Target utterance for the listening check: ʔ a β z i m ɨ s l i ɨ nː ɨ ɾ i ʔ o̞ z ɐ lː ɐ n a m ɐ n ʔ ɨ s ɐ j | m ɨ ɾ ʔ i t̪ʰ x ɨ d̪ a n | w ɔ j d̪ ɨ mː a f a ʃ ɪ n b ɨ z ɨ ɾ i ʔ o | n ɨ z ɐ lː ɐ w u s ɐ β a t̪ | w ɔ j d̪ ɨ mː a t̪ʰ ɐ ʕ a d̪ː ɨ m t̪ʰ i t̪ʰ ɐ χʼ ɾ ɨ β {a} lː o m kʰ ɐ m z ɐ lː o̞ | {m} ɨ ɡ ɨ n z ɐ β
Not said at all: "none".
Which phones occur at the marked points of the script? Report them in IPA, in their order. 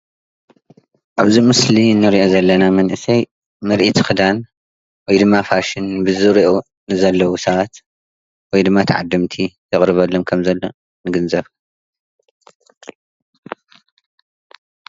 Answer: ɐ, n

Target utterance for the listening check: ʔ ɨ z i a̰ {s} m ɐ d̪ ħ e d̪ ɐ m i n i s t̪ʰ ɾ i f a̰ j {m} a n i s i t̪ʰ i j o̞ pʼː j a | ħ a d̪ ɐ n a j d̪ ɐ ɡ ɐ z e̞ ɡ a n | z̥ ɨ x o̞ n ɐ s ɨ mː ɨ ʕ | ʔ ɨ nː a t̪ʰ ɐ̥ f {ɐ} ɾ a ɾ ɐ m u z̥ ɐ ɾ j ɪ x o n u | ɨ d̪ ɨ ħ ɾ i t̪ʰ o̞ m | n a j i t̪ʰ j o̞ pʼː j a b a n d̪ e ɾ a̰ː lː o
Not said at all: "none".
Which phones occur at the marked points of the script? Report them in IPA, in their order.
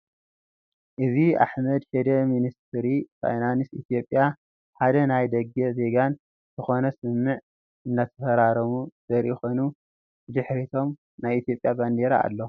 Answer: ħ, n, ɐ

